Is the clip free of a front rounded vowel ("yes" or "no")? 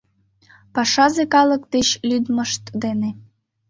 no